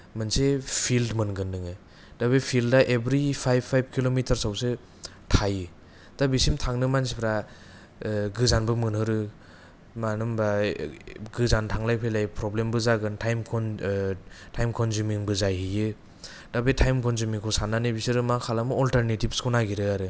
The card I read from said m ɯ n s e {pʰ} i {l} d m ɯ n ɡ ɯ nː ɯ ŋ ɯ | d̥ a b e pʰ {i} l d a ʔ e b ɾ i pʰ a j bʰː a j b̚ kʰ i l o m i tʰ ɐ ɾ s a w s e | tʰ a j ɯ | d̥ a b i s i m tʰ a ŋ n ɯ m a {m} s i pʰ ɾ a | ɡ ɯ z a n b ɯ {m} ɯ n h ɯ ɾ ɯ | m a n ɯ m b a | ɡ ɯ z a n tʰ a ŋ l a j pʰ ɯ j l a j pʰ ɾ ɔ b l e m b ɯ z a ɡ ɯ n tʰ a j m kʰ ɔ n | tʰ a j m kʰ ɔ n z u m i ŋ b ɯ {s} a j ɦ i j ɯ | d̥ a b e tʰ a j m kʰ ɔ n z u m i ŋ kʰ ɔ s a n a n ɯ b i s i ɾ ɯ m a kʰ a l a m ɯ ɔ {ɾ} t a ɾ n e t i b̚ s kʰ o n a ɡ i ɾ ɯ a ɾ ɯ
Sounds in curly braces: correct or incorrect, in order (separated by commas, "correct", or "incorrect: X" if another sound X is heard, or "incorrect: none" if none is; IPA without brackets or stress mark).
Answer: correct, correct, correct, incorrect: n, correct, incorrect: z, incorrect: l